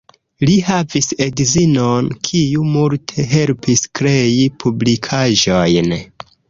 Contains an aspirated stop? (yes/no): yes